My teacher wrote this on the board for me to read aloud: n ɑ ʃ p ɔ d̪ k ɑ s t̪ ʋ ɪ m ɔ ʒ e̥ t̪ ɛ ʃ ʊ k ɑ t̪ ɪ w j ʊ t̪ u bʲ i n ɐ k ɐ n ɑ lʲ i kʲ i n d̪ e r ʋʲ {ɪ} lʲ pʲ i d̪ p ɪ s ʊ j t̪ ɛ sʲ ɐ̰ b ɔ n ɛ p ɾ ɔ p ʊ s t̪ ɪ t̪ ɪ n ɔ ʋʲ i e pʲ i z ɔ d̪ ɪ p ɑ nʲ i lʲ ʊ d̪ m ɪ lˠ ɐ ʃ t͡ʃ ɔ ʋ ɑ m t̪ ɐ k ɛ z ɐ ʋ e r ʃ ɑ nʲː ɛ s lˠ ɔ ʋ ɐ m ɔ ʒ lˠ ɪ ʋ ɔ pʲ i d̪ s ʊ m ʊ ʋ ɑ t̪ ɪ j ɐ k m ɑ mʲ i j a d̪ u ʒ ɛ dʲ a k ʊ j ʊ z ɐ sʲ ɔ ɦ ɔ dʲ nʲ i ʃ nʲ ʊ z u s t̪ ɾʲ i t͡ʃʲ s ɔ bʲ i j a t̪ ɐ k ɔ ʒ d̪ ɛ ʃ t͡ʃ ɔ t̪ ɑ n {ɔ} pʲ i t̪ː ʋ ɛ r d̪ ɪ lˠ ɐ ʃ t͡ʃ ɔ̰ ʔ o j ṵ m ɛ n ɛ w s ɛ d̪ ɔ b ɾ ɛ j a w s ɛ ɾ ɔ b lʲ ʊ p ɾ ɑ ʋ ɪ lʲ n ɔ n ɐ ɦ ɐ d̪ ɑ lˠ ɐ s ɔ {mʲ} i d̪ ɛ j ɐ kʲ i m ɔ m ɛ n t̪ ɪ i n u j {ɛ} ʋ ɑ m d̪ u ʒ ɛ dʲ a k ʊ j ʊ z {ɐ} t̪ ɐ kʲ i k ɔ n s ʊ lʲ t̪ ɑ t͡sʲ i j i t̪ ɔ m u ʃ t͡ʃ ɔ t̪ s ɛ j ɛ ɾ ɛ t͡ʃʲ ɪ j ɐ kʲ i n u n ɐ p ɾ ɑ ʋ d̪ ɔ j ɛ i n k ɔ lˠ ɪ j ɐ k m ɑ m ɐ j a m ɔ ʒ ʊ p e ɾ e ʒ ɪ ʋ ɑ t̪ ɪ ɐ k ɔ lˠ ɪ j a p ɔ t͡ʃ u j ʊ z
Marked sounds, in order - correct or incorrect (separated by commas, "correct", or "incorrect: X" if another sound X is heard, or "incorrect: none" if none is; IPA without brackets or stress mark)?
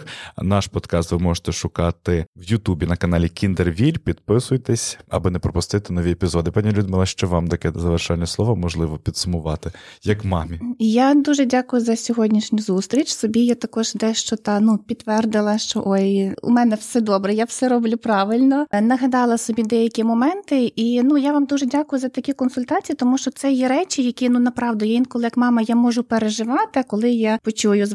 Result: incorrect: i, incorrect: u, incorrect: bʲ, incorrect: a, correct